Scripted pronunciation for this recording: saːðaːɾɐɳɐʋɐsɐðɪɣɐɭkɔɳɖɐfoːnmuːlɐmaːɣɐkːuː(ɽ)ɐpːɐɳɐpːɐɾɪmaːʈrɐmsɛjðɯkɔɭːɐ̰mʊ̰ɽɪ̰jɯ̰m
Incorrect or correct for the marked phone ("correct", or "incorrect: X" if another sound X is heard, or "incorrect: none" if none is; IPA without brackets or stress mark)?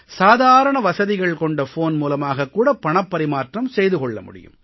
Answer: correct